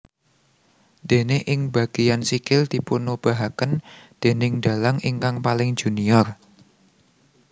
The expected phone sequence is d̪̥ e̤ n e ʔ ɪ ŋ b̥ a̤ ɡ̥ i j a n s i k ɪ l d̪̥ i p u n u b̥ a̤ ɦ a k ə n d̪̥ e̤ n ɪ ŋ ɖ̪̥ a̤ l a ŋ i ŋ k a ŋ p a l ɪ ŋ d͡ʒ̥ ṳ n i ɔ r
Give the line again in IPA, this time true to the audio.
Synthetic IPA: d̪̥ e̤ n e ʔ ɪ ŋ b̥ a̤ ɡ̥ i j a n s i k ɪ l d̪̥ i p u n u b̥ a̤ ɦ a k ə n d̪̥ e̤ n ɪ ŋ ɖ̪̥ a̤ l a ŋ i ŋ k a ŋ p a l ɪ ŋ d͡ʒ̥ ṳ n i ɔ r